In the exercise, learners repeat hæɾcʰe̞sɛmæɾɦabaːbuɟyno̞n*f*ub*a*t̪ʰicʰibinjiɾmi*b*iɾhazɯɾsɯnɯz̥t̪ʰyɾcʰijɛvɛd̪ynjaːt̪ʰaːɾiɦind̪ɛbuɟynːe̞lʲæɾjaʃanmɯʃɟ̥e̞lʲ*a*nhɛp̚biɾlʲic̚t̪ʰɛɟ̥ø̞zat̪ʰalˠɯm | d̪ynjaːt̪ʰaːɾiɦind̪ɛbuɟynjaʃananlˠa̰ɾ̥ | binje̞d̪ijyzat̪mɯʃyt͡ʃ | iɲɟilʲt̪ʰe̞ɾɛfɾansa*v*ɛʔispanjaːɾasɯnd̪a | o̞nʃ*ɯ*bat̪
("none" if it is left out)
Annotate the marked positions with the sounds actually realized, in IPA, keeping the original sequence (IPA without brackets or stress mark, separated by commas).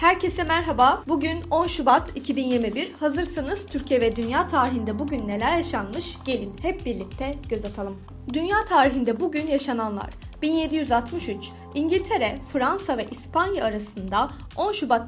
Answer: ʃ, a, b, i, v, u